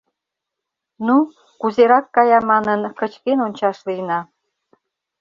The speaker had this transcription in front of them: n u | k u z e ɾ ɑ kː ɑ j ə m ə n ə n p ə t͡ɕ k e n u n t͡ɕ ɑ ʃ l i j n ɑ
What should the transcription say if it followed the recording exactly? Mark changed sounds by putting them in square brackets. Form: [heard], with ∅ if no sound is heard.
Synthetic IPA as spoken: n u | k u z e ɾ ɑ kː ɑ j [ɑ] m [ɑ] n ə n [k] ə t͡ɕ k e n [o] n t͡ɕ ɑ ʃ l i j n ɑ